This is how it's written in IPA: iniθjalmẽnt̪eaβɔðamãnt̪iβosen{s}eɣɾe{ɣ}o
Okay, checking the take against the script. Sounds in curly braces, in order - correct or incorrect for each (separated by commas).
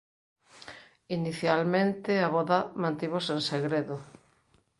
correct, incorrect